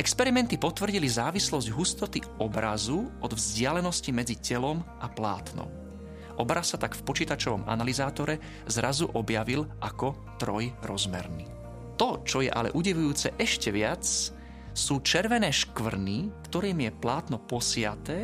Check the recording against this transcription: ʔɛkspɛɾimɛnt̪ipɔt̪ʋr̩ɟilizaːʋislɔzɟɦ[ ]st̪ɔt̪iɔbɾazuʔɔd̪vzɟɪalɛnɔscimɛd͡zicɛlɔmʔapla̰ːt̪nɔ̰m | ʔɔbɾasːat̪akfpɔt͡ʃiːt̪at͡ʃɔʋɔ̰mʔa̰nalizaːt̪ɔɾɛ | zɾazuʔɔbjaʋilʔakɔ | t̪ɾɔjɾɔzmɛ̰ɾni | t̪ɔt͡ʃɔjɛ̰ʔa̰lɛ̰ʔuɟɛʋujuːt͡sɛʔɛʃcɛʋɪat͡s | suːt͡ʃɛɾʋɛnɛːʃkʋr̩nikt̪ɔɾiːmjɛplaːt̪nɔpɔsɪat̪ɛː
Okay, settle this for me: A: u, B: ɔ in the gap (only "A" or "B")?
A